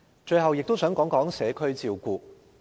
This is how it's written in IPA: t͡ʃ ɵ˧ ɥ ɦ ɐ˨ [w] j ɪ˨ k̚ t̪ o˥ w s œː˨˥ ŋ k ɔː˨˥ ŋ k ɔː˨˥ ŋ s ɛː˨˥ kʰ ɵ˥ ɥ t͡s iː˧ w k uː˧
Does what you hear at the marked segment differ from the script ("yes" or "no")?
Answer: no